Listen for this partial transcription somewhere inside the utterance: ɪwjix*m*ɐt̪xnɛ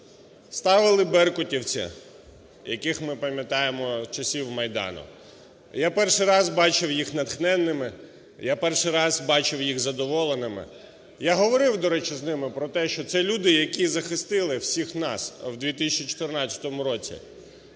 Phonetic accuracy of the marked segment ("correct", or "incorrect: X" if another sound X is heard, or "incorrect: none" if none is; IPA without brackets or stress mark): incorrect: n